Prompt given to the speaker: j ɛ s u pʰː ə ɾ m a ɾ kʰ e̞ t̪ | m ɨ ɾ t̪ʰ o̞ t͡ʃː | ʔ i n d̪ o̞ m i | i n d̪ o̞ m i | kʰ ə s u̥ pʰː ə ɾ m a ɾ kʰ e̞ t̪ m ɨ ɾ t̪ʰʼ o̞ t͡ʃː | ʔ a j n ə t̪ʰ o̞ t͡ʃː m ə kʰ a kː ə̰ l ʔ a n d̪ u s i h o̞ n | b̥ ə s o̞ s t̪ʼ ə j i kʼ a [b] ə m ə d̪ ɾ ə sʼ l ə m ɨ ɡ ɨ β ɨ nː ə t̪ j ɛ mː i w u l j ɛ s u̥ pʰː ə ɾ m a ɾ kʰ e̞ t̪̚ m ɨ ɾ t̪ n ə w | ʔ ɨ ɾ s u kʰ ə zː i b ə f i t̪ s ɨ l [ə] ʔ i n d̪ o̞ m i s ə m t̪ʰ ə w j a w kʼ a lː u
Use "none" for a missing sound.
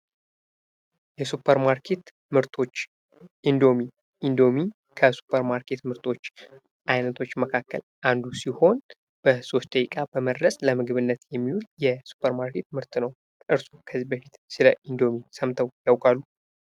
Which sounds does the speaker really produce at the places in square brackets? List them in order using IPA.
b, ə

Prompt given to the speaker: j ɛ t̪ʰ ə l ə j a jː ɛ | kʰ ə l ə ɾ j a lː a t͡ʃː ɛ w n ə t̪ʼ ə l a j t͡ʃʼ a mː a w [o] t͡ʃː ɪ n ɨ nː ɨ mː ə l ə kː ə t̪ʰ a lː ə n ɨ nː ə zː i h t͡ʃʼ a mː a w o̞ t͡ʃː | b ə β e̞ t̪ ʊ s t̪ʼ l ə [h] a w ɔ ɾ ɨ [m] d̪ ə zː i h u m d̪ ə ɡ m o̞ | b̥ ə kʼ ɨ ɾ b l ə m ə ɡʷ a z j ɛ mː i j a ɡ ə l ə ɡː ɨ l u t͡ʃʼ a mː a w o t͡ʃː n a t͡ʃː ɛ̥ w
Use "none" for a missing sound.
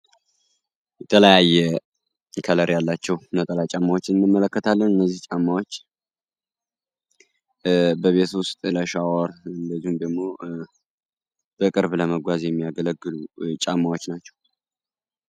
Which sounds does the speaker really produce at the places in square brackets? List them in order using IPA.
o, ʃ, n

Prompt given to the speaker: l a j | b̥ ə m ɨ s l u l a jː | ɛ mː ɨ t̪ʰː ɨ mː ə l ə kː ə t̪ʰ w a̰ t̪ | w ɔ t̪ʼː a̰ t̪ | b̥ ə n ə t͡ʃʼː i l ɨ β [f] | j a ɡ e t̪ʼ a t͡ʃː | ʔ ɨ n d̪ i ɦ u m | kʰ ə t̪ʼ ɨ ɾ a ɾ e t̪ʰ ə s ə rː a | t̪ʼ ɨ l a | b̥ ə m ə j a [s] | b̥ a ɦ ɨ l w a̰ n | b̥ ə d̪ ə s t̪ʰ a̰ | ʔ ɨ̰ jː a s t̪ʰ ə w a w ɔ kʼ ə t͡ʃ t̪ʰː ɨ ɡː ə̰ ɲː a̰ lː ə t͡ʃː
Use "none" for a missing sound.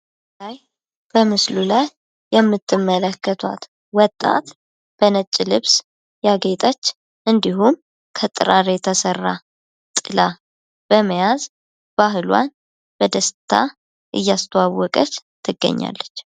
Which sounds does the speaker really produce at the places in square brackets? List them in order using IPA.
s, z

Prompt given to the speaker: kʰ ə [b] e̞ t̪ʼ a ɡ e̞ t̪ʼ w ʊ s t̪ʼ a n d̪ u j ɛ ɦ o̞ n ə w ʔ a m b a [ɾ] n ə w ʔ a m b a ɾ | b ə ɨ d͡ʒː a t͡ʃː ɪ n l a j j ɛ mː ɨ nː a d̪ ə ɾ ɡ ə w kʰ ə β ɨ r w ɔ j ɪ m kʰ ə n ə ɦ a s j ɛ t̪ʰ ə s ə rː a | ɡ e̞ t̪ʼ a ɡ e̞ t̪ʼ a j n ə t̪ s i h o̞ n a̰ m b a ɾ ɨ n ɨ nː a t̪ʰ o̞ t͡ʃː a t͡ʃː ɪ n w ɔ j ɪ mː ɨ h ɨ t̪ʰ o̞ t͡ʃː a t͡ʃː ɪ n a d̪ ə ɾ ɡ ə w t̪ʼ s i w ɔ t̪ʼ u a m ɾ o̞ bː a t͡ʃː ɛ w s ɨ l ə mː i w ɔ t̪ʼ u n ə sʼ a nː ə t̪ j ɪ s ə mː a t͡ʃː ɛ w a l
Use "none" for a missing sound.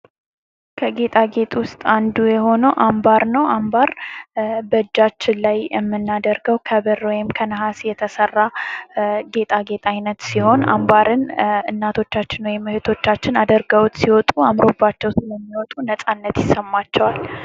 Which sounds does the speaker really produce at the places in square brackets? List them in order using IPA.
ɡ, ɾ

